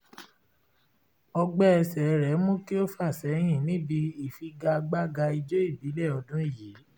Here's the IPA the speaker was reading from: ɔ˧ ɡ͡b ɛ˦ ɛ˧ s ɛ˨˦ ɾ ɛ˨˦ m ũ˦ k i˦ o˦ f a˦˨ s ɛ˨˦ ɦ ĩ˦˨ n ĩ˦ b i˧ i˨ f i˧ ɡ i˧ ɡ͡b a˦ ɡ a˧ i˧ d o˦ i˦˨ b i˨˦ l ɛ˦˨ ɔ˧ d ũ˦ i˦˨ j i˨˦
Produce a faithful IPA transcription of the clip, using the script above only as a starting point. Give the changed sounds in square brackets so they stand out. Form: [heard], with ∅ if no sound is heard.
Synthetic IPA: ɔ˧ ɡ͡b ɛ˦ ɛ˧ s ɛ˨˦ ɾ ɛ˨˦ m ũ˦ k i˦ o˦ f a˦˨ s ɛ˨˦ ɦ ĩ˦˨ n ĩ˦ b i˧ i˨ f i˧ ɡ [a˧] ɡ͡b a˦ ɡ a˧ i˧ [d͡ʒ] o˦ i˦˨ b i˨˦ l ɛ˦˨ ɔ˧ d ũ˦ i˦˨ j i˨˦